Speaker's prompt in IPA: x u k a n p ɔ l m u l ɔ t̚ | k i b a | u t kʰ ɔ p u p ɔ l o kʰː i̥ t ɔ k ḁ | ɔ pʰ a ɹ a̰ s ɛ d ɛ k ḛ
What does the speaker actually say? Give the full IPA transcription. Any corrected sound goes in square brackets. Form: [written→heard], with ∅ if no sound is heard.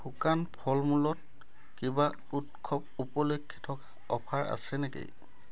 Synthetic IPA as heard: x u k a n [p→pʰ] ɔ l m u l ɔ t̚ | k i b a | u t kʰ ɔ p u p ɔ l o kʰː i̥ [t→tʰ] ɔ k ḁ | ɔ pʰ a ɹ a̰ s ɛ [d→n] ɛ k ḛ

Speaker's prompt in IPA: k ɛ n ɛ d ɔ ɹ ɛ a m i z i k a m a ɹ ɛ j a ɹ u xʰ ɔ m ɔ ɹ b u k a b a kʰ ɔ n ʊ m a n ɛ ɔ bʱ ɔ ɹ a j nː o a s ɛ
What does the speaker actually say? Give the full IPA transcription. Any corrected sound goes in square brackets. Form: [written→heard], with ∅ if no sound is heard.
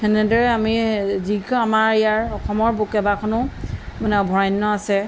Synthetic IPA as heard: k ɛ n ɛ d ɔ ɹ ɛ a m i z i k a m a ɹ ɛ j a ɹ [u→ɔ] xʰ ɔ m ɔ ɹ b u k [a→ɛ] b a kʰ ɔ n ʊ m a n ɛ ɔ bʱ ɔ ɹ a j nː [o→ɔ] a s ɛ

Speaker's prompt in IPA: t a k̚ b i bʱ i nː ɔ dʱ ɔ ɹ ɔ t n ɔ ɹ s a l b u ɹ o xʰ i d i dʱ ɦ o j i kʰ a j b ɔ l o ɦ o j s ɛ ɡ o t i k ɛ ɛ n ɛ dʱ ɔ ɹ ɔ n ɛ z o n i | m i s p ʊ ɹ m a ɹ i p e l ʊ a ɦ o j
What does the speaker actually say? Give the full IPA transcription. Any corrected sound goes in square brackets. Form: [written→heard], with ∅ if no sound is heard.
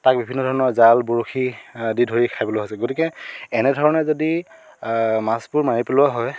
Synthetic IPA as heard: t a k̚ b i bʱ i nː ɔ dʱ ɔ ɹ ɔ [t→∅] n ɔ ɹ [s→z] a l b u ɹ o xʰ i d i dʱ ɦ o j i kʰ a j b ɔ l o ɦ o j s ɛ ɡ o t i k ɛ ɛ n ɛ dʱ ɔ ɹ ɔ n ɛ z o [n→d] i | m [i→a] s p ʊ ɹ m a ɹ i p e l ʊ a ɦ [o→ɔ] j

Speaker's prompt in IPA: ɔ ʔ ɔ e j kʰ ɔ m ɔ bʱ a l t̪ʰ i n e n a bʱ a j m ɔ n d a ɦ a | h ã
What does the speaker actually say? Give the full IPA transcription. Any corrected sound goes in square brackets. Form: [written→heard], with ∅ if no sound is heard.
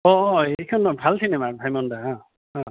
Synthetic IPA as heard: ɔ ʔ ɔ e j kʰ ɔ [m→n] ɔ bʱ a l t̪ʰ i n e [n→m] a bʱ a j m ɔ n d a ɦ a | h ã

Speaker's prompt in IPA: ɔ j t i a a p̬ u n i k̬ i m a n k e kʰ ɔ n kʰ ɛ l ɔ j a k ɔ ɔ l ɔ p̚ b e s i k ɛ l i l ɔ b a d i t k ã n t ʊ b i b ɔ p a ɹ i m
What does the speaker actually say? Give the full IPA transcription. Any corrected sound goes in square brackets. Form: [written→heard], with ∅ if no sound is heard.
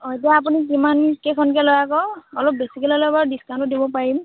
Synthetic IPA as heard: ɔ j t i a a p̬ u n i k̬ i m a n k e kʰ ɔ n [kʰ→k] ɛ l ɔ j a k ɔ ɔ l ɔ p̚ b e s i k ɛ l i l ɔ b a d i [t→s] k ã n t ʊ [b→d] i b ɔ p a ɹ i m

